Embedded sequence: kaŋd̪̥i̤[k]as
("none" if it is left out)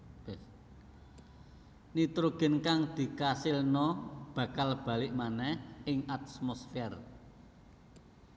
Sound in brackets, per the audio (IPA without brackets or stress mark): k